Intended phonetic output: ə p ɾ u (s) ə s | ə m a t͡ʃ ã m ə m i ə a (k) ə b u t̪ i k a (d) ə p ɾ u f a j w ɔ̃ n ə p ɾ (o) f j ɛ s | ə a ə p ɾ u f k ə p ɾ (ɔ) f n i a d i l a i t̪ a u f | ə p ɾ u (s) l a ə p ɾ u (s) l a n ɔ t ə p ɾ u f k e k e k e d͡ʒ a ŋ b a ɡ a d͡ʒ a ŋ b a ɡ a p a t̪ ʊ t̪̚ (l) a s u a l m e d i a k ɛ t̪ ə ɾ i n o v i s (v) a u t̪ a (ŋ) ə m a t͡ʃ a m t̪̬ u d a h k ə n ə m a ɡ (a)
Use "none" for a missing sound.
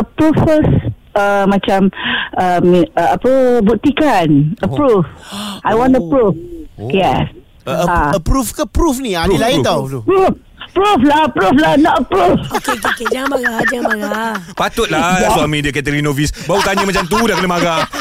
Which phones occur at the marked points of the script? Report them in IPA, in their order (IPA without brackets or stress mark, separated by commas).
f, p, n, u, u, f, f, l, b, ɲ, a